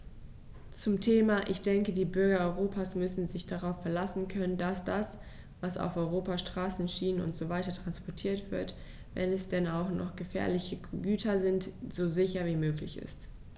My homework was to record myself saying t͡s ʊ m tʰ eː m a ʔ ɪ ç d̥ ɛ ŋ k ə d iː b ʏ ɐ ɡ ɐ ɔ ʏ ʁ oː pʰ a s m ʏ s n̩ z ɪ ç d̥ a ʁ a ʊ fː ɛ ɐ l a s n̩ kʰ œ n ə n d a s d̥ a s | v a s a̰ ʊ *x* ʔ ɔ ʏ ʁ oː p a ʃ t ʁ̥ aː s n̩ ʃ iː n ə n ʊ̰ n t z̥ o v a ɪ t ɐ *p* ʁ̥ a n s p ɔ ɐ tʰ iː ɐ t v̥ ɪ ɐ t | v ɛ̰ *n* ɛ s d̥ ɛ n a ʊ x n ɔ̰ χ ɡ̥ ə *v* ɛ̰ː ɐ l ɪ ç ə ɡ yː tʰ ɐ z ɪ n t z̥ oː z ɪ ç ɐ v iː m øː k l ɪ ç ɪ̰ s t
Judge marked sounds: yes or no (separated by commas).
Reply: no, no, yes, no